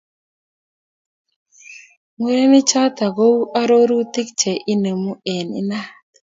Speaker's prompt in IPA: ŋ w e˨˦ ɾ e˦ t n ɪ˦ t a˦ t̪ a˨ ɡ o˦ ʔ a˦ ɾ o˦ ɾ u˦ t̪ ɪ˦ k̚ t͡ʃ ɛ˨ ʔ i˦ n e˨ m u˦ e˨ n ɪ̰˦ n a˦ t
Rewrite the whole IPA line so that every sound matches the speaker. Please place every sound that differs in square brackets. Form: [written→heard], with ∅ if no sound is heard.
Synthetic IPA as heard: ŋ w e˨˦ ɾ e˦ [t→∅] n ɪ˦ [t→t͡ʃ] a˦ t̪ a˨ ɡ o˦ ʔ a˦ ɾ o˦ ɾ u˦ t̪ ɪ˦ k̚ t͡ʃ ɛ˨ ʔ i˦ n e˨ m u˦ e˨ n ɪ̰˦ n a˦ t